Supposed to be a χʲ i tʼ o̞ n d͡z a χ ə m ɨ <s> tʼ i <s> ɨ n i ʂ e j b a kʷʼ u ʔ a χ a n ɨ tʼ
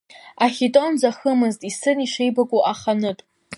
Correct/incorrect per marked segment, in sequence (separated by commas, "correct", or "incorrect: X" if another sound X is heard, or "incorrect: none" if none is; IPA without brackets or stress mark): incorrect: z, correct